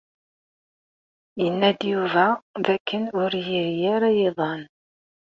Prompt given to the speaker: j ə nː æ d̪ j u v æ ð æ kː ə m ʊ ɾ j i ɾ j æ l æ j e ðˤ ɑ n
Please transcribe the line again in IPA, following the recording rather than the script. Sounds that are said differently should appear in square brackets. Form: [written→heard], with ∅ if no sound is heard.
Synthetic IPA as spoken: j ə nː æ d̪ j u v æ ð æ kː ə [m→n] ʊ ɾ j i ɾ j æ [l→ɾ] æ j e ðˤ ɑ n